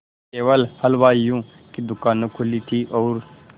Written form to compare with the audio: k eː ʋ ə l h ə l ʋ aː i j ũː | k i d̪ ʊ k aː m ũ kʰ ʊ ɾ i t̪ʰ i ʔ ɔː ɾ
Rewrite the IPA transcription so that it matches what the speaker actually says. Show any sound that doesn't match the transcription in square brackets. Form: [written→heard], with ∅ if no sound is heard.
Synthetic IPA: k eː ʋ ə l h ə l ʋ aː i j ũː | k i d̪ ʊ k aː [m→n] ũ kʰ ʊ [ɾ→l] i t̪ʰ i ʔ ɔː ɾ

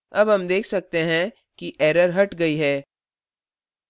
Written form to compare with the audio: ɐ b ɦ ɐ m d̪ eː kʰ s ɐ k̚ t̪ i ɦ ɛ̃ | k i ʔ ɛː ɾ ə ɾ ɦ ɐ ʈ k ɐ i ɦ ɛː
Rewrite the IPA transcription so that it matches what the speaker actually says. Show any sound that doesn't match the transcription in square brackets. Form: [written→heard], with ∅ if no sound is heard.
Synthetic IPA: ɐ b ɦ ɐ m d̪ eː kʰ s ɐ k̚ t̪ [i→e] ɦ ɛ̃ | k i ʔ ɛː ɾ ə ɾ ɦ ɐ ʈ [k→ɡ] ɐ i ɦ ɛː

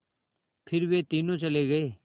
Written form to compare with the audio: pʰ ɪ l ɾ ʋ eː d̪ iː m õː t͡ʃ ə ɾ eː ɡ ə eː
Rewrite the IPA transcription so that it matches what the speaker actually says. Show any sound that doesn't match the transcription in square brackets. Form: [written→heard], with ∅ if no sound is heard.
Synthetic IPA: pʰ ɪ [l→∅] ɾ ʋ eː [d̪→t̪] iː [m→n] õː t͡ʃ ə [ɾ→l] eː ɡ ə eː

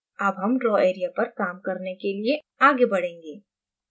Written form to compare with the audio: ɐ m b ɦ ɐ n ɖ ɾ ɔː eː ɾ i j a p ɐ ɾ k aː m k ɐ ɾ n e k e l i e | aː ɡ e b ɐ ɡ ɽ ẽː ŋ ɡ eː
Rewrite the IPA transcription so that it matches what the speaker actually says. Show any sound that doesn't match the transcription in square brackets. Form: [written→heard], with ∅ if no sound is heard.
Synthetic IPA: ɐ [m→∅] b ɦ ɐ [n→m] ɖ ɾ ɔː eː ɾ i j a p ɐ ɾ k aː m k ɐ ɾ n e k e l i e | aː ɡ e b ɐ [ɡ→∅] ɽ ẽː ŋ ɡ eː

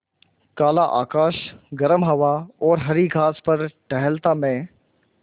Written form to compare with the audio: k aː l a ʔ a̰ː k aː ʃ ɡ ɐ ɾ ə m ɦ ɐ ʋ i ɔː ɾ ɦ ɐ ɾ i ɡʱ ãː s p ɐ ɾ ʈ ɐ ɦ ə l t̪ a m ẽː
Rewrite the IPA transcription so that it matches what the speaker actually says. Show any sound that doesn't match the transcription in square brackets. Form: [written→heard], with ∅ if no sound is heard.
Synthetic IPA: k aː l a ʔ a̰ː k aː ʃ ɡ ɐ ɾ ə m ɦ ɐ ʋ [i→a] ɔː ɾ ɦ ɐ ɾ i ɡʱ [ãː→aː] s p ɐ ɾ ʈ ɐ ɦ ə l t̪ a m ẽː

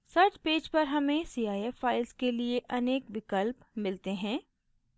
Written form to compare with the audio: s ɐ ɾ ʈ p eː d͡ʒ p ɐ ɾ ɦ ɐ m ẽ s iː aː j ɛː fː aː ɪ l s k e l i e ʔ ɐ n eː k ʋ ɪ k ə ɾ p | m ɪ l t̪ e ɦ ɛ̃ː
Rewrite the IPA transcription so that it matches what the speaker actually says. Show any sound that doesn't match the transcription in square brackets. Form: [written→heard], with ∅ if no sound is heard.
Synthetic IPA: s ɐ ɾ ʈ p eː d͡ʒ p ɐ ɾ ɦ ɐ m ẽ s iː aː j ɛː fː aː ɪ l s k e l i e ʔ ɐ n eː k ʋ ɪ k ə [ɾ→l] p | m ɪ l t̪ e ɦ ɛ̃ː

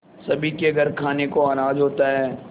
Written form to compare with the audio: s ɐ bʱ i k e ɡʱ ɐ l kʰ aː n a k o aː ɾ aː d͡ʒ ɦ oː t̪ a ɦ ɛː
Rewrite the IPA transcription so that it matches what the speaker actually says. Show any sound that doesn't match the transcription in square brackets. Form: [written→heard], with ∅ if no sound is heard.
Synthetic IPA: s ɐ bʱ i k e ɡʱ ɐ [l→ɾ] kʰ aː n [a→e] k o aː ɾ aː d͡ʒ ɦ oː t̪ a ɦ ɛː

